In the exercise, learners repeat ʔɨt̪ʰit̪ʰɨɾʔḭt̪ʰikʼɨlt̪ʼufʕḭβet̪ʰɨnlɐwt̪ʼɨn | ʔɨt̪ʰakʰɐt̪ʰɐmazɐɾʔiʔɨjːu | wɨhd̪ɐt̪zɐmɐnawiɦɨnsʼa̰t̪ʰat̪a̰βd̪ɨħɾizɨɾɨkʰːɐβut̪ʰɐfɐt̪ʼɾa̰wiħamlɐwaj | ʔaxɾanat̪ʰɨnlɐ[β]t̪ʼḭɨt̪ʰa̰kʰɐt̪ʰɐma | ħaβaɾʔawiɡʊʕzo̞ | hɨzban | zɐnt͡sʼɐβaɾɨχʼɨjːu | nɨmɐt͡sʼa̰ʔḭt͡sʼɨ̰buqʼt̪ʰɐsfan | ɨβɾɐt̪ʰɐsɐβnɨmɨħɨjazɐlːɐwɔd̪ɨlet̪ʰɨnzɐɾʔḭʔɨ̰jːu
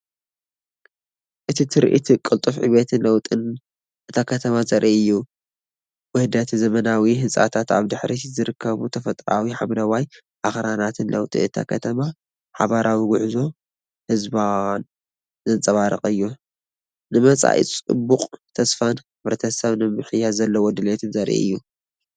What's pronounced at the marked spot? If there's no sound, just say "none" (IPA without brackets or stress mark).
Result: w